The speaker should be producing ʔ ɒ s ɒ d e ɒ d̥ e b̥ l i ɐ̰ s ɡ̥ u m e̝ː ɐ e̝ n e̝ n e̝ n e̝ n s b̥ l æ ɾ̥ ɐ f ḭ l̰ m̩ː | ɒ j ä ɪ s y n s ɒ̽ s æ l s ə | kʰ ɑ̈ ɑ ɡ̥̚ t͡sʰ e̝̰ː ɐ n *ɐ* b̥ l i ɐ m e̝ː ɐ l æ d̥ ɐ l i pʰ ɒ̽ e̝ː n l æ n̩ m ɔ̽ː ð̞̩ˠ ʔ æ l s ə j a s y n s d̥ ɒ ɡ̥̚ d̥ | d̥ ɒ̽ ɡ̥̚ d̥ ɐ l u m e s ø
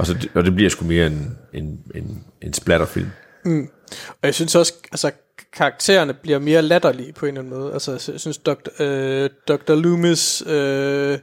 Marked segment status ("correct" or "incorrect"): incorrect